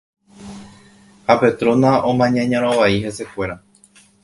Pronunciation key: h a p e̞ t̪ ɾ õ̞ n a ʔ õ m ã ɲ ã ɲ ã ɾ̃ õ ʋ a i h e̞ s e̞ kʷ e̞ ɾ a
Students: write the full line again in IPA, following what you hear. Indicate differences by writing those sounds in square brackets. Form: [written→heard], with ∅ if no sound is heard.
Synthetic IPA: h a p e̞ t̪ ɾ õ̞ n a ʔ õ m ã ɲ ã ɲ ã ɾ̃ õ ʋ a i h e̞ s e̞ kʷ e̞ ɾ a

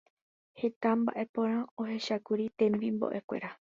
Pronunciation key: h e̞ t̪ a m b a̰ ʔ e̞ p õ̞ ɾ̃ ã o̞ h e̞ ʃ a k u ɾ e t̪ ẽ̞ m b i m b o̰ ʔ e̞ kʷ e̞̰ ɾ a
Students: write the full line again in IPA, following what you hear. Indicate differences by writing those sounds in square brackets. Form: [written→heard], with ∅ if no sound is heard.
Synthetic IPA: h e̞ t̪ a m b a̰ ʔ e̞ p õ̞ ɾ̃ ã o̞ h e̞ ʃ a k u ɾ [e→i] t̪ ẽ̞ m b i m b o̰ ʔ e̞ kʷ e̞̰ ɾ a

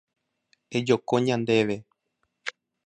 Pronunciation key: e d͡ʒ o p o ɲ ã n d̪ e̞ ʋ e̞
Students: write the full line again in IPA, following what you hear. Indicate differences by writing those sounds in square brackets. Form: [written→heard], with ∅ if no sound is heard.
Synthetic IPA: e d͡ʒ o [p→k] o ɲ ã n d̪ e̞ ʋ e̞

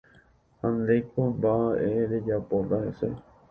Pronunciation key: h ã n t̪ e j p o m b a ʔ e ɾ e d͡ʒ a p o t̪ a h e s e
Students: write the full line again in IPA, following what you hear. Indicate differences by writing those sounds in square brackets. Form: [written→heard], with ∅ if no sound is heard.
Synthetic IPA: h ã n [t̪→d̪] e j [p→k] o m b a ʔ e ɾ e d͡ʒ a p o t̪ a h e s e

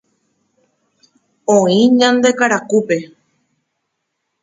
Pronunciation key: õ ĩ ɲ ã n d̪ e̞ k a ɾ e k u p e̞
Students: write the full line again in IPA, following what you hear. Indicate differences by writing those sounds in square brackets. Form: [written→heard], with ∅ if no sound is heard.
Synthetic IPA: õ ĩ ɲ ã n d̪ e̞ k a ɾ [e→a] k u p e̞

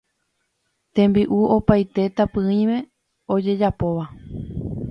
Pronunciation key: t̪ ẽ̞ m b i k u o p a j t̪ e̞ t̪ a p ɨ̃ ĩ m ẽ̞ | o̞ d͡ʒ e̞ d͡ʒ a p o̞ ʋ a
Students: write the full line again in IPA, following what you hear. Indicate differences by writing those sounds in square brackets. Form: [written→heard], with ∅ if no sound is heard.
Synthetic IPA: t̪ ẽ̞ m b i [k→ʔ] u o p a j t̪ e̞ t̪ a p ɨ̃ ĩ m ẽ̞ | o̞ d͡ʒ e̞ d͡ʒ a p o̞ ʋ a

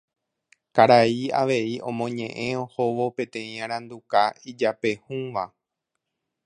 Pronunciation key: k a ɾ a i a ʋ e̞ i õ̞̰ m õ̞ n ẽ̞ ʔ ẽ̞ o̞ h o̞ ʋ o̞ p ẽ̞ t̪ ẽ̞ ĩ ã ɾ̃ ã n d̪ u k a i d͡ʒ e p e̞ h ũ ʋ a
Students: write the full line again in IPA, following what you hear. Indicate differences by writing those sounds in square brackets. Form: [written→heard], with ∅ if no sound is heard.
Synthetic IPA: k a ɾ a i a ʋ e̞ i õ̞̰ m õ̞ [n→ɲ] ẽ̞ ʔ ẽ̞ o̞ h o̞ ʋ o̞ p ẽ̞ t̪ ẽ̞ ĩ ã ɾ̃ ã n d̪ u k a i d͡ʒ [e→a] p e̞ h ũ ʋ a

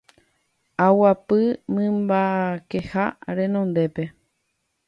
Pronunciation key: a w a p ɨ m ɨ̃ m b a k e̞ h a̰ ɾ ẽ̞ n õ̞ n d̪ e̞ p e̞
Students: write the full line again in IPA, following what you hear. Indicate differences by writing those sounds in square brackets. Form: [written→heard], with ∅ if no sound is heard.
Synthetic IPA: a w a p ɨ m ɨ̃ m b a k e̞ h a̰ ɾ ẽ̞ n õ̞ n d̪ e̞ p e̞

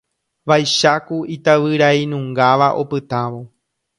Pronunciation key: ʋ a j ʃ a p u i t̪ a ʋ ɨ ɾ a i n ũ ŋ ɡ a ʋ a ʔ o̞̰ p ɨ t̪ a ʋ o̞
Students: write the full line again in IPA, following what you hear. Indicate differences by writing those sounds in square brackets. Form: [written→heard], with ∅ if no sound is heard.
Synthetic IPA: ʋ a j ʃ a [p→k] u i t̪ a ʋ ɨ ɾ a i n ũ ŋ ɡ a ʋ a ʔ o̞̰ p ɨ t̪ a ʋ o̞

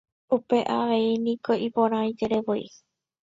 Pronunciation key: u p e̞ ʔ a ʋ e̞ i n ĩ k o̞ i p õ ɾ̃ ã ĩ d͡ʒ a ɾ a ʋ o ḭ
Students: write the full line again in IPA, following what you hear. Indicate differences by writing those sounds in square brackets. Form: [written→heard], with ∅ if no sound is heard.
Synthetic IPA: u p e̞ ʔ a ʋ e̞ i n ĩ k o̞ i p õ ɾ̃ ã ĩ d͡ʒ [a→e] ɾ [a→e] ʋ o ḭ

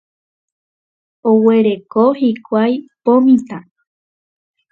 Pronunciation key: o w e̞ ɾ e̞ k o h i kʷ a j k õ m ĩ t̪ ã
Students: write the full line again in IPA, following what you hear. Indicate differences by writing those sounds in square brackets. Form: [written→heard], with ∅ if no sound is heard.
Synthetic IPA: o w e̞ ɾ e̞ k o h i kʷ a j [k→p] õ m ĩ t̪ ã

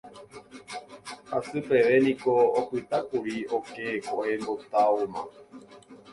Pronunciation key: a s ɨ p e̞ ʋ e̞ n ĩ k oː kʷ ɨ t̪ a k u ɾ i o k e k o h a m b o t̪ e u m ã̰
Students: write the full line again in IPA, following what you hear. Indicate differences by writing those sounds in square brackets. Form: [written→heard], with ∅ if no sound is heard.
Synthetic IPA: a s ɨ p e̞ ʋ e̞ n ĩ k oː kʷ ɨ t̪ a k u ɾ i o k e k o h [a→e] m b o t̪ [e→a] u m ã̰

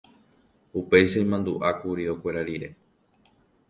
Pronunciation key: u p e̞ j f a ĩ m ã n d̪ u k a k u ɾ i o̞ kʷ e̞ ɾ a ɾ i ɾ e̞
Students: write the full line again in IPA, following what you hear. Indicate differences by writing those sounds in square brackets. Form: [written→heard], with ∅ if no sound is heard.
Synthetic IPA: u p e̞ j [f→ʃ] a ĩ m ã n d̪ u [k→ʔ] a k u ɾ i o̞ kʷ e̞ ɾ a ɾ i ɾ e̞

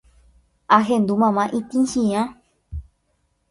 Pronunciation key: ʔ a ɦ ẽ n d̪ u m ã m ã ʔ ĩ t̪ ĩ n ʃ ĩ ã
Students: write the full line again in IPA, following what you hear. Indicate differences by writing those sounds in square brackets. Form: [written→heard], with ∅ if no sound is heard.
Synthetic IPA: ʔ a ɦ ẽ n d̪ u m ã m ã ʔ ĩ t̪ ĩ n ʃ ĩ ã

